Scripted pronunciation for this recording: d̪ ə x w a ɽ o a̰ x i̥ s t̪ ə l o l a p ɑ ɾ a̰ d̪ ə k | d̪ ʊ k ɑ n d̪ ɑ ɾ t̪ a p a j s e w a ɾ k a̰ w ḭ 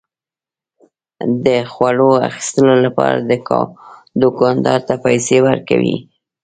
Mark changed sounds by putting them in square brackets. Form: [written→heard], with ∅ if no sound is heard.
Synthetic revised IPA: d̪ ə x w a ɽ o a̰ x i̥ s t̪ ə l o l a p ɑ ɾ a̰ d̪ ə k | d̪ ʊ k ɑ n d̪ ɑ ɾ t̪ a p a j s e w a ɾ k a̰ w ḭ